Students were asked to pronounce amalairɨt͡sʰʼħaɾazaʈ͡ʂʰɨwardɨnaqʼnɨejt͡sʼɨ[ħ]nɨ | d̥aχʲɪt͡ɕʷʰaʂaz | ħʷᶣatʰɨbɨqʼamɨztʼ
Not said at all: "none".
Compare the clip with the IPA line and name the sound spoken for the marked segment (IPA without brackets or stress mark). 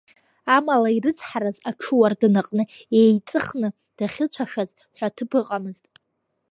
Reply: χ